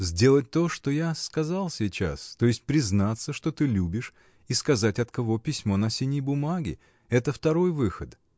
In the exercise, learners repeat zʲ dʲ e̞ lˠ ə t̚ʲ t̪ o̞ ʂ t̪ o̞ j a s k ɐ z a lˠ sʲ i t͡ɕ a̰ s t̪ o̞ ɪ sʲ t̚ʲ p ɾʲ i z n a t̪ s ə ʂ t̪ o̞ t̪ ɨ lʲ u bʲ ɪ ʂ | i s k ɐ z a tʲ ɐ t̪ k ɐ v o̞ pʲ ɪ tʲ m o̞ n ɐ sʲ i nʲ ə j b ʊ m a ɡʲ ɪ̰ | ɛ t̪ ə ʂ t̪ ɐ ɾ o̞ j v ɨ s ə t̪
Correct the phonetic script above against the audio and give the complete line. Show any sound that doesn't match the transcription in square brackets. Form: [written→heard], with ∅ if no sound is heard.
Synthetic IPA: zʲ dʲ e̞ lˠ ə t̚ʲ t̪ o̞ ʂ t̪ o̞ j a s k ɐ z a lˠ sʲ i t͡ɕ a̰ s t̪ o̞ ɪ sʲ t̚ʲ p ɾʲ [i→ɪ] z n a t̪ s ə ʂ t̪ o̞ t̪ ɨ lʲ u bʲ ɪ ʂ | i s k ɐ z a tʲ ɐ t̪ k ɐ v o̞ pʲ ɪ [tʲ→sʲ] m o̞ n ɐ sʲ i nʲ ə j b ʊ m a ɡʲ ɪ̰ | ɛ t̪ ə [ʂ→f] t̪ ɐ ɾ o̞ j v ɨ [s→x] ə t̪